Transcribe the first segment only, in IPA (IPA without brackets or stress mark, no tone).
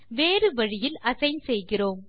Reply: ʋ